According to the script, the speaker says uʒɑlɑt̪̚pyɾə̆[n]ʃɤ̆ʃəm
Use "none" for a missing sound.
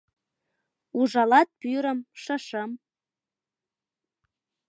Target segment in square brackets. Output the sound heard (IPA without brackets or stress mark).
m